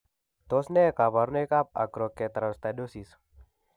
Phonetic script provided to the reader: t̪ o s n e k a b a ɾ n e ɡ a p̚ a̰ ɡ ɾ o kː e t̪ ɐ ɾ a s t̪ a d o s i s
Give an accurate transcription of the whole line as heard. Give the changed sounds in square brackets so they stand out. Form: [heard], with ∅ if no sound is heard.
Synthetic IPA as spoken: t̪ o s n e k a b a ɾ n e [k] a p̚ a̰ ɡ ɾ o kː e t̪ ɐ ɾ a s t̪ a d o s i s

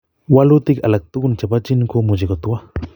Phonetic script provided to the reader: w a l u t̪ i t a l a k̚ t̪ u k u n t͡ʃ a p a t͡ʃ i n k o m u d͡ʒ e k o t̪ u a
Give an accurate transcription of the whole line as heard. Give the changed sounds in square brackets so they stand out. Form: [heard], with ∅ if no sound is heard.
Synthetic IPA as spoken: w a l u t̪ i [k] a l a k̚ t̪ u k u n t͡ʃ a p a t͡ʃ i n k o m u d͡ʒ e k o t̪ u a

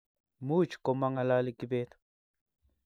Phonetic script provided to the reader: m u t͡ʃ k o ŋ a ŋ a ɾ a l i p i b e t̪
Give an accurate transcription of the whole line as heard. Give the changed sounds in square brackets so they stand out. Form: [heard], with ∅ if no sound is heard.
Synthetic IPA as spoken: m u t͡ʃ k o [m] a ŋ a [l] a l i [k] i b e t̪

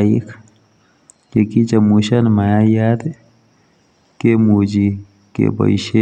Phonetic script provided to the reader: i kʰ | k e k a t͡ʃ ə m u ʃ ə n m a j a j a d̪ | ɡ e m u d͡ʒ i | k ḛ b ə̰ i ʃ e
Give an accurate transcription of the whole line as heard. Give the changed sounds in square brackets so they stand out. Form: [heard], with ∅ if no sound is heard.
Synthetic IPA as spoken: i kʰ | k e k [i] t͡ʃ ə m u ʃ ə n m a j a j a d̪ | [k] e m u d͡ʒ i | k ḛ b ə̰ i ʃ e

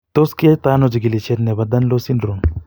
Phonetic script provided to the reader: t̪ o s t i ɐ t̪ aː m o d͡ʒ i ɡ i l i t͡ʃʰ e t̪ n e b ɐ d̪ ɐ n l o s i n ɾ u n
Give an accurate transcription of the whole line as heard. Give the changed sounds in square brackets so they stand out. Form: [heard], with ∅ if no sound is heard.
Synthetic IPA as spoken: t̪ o s [k] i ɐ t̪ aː [n] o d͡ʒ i ɡ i l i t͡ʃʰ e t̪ n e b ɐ d̪ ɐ n l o s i n ɾ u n

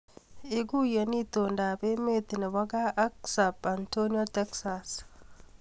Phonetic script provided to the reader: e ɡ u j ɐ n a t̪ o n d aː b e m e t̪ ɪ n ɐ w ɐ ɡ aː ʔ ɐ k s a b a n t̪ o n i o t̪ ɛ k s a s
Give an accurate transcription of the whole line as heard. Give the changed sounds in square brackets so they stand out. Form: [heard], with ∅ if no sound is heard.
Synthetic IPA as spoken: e ɡ u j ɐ n [i] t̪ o n d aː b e m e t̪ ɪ n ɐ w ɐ ɡ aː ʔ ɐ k s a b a n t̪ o n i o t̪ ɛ k s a s

